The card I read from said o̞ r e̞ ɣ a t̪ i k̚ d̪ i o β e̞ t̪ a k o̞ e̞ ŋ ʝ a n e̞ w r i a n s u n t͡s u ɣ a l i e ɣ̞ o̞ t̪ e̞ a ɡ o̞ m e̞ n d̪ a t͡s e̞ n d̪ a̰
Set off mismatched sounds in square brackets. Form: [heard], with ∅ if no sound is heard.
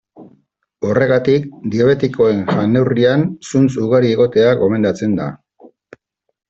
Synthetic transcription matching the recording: o̞ r e̞ ɣ a t̪ i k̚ d̪ i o β e̞ t̪ [i] k o̞ e̞ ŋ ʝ a n e̞ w r i a n s u n t͡s u ɣ a [ɾ] i e ɣ̞ o̞ t̪ e̞ a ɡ o̞ m e̞ n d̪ a t͡s e̞ n d̪ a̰